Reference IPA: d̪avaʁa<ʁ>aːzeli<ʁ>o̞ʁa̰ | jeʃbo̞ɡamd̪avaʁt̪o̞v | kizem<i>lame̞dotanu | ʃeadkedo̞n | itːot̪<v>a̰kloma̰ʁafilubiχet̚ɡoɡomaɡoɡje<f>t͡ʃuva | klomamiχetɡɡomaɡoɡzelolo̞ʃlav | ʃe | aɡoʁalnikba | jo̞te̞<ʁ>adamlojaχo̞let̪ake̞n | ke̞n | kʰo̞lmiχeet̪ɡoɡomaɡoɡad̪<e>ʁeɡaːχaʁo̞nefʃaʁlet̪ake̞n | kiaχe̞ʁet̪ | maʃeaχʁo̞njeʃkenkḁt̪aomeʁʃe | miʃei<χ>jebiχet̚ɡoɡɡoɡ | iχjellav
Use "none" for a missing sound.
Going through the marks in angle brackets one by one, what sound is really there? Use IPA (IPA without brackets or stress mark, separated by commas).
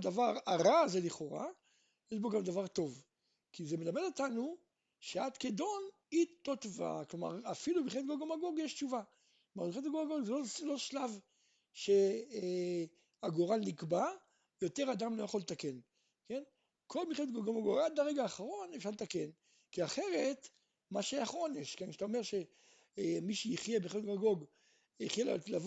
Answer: ʁ, χ, e, v, ʃ, ʁ, a, χ